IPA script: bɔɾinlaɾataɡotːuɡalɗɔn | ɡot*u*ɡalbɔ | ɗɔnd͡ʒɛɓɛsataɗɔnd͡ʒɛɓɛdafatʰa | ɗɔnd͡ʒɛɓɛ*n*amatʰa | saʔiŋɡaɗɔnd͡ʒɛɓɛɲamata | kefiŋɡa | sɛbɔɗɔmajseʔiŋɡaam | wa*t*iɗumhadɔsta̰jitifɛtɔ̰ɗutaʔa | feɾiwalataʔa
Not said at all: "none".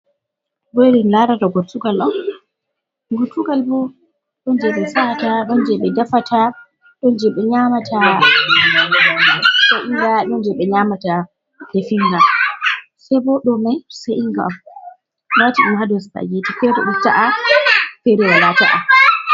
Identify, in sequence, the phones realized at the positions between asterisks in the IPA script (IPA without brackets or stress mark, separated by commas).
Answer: u, ɲ, t